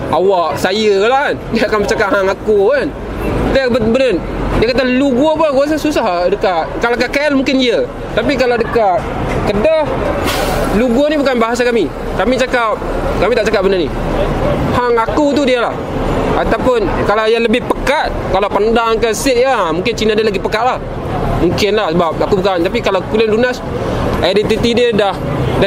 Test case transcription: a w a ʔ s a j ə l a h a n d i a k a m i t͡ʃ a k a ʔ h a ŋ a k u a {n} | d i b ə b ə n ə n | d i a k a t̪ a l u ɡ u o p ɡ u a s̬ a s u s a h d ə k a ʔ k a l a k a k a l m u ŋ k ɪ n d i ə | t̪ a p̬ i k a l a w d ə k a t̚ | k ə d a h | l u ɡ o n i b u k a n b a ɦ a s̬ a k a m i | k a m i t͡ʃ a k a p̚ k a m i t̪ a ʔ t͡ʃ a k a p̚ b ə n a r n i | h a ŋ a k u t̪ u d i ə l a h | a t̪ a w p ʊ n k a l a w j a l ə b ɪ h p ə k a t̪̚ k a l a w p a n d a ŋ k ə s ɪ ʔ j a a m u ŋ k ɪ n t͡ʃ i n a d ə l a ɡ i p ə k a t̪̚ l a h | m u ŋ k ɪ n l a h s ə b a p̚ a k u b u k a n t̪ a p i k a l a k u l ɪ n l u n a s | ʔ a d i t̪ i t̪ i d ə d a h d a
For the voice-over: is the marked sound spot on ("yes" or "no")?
yes